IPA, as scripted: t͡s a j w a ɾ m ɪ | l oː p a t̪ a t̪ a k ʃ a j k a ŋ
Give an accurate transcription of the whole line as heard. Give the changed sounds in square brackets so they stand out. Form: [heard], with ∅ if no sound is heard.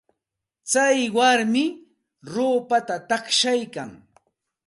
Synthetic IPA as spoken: t͡s a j w a ɾ m ɪ | [ɾ] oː p a t̪ a t̪ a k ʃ a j k a ŋ